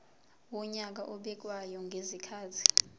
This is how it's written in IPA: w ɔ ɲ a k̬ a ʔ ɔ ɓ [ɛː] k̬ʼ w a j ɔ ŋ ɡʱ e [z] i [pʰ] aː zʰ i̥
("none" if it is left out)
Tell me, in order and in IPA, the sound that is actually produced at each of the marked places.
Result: ɛ, z, kʰ

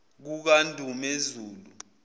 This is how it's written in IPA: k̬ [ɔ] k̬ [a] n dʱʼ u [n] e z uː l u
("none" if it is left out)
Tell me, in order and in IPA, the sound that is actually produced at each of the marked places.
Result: u, a, m

